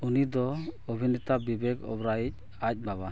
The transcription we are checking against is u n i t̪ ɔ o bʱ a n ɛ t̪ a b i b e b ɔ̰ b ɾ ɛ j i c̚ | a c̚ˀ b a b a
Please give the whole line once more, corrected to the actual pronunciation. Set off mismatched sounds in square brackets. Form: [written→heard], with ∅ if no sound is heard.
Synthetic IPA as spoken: u n i [t̪→d̪] ɔ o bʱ [a→i] n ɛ t̪ a b i b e [b→ɡ] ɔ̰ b ɾ [ɛ→a] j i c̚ | a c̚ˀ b a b a